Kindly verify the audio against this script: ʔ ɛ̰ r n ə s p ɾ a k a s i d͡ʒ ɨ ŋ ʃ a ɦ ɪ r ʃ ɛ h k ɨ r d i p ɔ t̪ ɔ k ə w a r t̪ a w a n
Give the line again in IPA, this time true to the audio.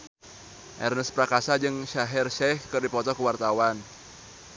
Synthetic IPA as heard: ʔ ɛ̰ r n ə s p ɾ a k a s a d͡ʒ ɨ ŋ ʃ a ɦ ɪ r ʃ ɛ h k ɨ r d i p ɔ t̪ ɔ k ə w a r t̪ a w a n